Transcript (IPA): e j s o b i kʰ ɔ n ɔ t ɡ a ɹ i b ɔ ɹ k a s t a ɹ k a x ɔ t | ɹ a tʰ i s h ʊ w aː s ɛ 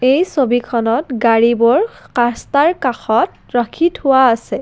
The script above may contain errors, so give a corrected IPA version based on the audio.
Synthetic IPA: e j s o b i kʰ ɔ n ɔ t ɡ a ɹ i b ɔ ɹ k a s t a ɹ k a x ɔ t | ɹ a kʰ i t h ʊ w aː s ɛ